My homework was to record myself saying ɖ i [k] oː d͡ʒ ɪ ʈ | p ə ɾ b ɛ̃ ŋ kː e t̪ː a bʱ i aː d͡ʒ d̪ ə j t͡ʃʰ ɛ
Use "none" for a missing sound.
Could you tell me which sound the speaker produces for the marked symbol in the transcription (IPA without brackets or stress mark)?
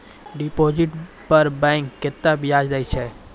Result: p